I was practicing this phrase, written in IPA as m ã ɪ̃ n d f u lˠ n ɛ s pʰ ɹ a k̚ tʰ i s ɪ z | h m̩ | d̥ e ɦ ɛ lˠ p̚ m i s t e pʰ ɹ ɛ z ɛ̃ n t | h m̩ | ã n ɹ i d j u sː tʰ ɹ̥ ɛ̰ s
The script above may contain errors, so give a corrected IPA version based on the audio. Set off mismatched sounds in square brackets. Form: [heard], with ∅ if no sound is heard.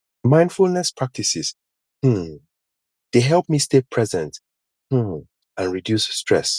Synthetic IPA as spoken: m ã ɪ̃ n d f u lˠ n ɛ s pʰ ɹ a k̚ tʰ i s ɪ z | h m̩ | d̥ e ɦ ɛ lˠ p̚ m i s t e pʰ ɹ ɛ z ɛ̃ n t | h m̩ | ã n ɹ i d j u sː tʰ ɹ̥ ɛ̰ s